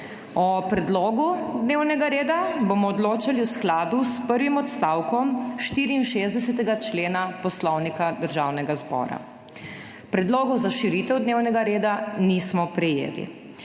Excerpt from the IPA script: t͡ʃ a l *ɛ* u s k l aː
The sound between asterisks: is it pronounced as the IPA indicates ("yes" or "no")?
no